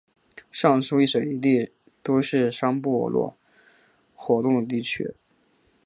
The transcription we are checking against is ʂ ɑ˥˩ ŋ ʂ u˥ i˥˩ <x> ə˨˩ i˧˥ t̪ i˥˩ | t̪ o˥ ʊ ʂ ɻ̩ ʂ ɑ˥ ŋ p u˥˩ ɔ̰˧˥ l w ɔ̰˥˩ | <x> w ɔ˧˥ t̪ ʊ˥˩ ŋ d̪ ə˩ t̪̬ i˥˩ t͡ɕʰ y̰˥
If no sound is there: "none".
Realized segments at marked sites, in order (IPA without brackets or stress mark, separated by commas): ʂ, x